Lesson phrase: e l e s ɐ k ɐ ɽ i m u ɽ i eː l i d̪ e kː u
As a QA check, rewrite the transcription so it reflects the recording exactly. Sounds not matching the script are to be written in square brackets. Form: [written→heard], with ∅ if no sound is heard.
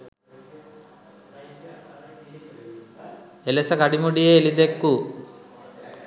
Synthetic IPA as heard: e l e s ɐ k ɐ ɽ i m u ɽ i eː l i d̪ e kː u